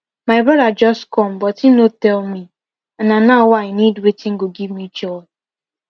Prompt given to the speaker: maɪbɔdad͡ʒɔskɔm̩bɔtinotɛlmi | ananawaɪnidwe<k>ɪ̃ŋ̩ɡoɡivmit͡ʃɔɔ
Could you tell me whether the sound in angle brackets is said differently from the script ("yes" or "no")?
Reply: yes